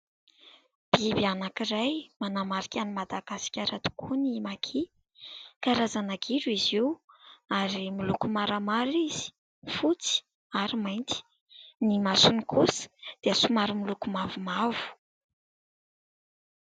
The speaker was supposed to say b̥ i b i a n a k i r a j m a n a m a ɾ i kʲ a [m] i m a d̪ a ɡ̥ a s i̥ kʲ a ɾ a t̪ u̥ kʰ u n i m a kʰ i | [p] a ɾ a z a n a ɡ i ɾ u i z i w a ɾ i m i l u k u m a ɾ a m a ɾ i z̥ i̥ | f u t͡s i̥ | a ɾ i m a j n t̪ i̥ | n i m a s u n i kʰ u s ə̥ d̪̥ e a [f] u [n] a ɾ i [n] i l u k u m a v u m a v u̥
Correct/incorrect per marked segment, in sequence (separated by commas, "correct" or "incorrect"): incorrect, incorrect, incorrect, incorrect, incorrect